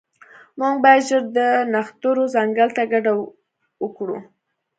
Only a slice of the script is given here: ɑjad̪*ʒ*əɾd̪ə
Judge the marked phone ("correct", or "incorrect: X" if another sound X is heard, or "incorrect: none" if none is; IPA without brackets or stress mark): correct